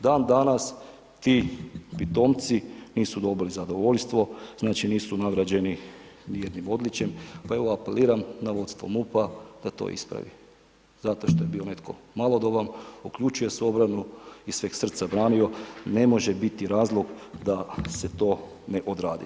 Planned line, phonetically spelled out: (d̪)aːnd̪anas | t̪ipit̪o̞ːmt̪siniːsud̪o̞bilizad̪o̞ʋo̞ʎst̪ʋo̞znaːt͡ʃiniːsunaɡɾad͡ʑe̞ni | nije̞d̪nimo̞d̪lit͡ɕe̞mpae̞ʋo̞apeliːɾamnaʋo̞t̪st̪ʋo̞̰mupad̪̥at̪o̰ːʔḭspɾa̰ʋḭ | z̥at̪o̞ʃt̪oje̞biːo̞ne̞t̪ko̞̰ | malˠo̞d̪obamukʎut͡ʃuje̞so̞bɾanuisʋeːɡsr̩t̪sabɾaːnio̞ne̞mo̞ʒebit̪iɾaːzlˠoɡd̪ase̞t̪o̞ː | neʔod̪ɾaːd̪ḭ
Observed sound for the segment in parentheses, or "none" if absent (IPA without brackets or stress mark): d̪